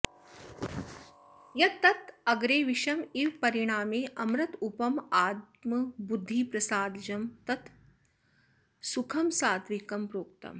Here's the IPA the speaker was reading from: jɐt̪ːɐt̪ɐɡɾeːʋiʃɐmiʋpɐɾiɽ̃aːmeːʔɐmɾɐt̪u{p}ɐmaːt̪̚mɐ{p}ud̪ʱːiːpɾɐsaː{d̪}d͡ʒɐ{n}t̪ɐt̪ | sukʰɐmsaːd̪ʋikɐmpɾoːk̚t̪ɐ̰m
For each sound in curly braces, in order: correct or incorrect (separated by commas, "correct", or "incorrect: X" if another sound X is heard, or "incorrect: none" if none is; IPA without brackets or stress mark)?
correct, incorrect: b, correct, incorrect: m